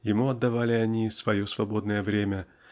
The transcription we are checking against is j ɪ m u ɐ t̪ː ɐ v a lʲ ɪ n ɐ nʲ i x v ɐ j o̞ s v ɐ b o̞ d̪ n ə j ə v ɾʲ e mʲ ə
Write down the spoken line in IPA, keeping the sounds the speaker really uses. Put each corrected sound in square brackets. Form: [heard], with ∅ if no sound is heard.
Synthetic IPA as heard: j ɪ m u ɐ [d̪ː] ɐ v a lʲ ɪ [∅] ɐ nʲ i [s] v ɐ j o̞ s v ɐ b o̞ d̪ n ə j ə v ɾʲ e mʲ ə